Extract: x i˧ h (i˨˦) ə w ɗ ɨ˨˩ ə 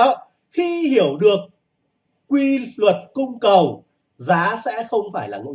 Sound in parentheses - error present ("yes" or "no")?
yes